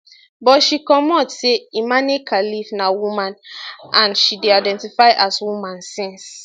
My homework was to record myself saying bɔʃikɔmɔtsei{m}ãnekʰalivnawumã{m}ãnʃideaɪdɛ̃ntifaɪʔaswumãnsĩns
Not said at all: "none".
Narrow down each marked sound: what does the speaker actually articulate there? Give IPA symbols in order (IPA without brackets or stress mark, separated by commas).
m, n